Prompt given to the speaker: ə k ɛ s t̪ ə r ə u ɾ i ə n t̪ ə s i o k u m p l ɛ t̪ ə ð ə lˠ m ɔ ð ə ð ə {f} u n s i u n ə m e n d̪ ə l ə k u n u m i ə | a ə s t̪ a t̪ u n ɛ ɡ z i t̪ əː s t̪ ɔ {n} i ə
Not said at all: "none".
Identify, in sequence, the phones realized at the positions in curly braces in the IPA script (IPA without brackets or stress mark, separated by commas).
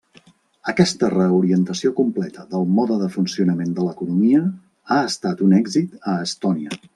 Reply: f, n